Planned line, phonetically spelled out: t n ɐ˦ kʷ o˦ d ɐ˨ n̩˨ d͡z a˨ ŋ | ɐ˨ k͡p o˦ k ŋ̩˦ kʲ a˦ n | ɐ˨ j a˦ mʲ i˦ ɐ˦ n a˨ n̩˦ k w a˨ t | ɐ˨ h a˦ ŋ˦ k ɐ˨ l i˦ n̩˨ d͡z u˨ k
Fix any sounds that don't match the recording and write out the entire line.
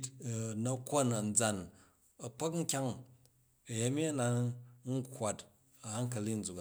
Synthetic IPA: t n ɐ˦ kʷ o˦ n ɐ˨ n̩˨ d͡z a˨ n | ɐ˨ k͡p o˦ k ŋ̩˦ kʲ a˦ ŋ | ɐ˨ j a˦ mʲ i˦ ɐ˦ n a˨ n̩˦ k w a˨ t | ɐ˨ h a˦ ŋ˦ k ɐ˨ l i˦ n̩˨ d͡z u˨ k